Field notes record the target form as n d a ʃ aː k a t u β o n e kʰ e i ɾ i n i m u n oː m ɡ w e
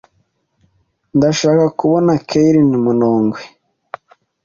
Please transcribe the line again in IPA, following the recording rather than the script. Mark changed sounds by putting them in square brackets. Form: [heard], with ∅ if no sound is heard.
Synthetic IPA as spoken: n d a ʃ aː k a [k] u β o n [a] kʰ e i ɾ i n i m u n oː [ŋ] ɡ w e